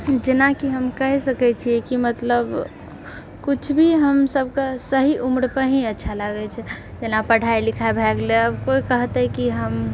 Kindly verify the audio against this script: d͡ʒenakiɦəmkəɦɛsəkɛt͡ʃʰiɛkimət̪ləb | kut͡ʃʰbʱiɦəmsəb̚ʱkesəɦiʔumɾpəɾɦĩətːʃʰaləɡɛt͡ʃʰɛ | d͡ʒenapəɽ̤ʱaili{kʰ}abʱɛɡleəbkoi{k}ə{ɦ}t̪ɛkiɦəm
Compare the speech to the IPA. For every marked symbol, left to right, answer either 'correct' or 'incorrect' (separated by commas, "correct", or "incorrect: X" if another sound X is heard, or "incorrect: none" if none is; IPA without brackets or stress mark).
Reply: correct, correct, correct